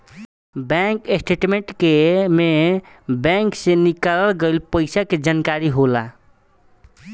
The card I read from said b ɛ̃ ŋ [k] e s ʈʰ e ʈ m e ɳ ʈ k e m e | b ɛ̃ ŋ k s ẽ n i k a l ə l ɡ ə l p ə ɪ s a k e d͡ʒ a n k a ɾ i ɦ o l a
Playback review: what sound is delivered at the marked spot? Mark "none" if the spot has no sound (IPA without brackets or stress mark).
k